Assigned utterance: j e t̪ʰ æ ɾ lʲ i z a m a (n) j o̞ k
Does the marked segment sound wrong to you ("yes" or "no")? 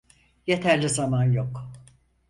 no